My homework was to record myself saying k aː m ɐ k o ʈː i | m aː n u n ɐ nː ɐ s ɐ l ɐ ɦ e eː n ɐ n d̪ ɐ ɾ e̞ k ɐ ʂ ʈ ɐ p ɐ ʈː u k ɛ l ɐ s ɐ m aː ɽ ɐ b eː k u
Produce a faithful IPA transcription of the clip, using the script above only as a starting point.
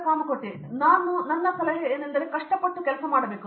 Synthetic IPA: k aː m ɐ k o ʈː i | n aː n u n ɐ nː ɐ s ɐ l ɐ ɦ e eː n ɐ n d̪ ɐ ɾ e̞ k ɐ ʂ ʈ ɐ p ɐ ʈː u k ɛ l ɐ s ɐ m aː ɽ ɐ b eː k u